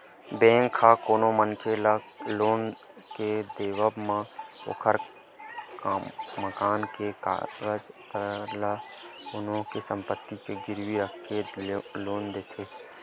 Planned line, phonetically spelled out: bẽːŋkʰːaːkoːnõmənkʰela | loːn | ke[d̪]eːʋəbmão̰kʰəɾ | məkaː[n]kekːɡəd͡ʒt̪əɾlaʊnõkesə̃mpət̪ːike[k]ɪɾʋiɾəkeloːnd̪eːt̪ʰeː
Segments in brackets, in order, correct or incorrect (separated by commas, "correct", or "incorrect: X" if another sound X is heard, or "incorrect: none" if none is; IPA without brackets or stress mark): correct, correct, incorrect: ɡ